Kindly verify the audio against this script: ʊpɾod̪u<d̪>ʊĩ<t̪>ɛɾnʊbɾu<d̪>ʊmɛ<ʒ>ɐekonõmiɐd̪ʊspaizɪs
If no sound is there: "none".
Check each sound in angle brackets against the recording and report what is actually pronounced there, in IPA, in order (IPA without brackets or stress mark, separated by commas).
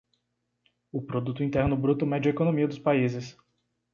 t̪, t̪, t̪, d͡ʒ